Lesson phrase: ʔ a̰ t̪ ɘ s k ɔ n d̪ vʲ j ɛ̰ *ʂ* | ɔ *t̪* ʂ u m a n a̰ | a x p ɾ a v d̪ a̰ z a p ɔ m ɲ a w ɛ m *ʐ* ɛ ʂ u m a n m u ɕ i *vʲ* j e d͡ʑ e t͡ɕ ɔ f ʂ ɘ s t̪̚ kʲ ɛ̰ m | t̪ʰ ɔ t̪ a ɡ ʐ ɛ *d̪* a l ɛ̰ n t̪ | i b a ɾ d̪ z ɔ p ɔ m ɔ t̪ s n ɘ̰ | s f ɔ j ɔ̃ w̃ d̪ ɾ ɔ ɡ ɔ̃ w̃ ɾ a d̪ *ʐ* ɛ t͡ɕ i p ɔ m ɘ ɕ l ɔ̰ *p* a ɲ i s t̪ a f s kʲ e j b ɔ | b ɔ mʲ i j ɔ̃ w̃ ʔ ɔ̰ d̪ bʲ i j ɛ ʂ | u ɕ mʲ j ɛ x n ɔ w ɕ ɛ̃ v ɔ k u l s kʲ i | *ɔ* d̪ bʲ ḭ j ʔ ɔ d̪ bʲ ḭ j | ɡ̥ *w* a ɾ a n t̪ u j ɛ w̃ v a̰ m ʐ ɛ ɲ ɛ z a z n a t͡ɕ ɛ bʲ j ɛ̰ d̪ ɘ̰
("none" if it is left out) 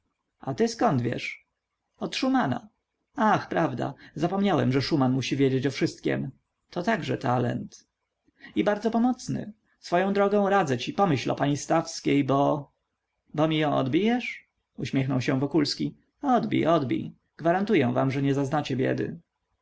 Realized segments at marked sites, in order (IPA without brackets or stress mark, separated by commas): ʂ, t̪, ʐ, vʲ, t̪, z, p, ɔ, v